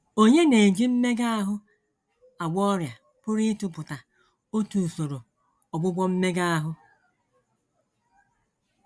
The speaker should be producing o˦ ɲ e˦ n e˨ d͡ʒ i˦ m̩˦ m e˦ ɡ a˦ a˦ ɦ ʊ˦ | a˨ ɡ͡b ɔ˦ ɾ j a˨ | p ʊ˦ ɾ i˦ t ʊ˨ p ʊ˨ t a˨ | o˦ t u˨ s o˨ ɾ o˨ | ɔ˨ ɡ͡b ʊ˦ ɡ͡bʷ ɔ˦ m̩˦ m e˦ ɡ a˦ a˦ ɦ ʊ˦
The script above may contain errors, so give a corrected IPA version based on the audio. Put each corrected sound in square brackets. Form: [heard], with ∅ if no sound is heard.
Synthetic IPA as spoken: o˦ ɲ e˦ n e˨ d͡ʒ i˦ m̩˦ m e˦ ɡ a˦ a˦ ɦ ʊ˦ | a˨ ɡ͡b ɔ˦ ɾ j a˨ | p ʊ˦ ɾ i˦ t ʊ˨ p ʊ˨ t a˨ | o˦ t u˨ s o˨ ɾ o˨ | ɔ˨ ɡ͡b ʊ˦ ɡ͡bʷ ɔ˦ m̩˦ m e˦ ɡ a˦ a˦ ɦ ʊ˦